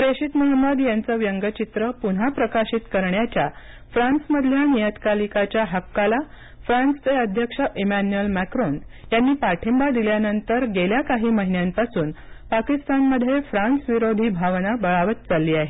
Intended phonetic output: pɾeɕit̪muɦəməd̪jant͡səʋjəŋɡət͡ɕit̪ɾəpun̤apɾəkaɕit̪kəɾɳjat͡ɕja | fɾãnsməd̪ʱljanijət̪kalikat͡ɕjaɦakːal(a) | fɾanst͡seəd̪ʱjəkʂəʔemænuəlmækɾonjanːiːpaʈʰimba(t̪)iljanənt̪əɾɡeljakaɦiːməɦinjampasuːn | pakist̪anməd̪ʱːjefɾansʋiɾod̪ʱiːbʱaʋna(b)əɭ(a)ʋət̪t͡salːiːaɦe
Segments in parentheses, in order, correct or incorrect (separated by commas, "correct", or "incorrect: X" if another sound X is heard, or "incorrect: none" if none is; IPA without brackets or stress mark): correct, incorrect: d̪, correct, correct